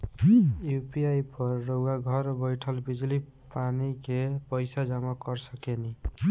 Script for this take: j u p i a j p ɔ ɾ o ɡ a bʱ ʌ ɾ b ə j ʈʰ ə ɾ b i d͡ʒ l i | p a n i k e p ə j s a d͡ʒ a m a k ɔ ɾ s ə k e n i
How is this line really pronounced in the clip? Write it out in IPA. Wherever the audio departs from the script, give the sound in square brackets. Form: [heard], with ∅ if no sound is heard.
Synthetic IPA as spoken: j u p i a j p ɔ [ɾː] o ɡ a [ɡʱ] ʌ ɾ b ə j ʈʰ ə [l] b i d͡ʒ l i | p a n i k e p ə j s a d͡ʒ a m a k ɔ ɾ s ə k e n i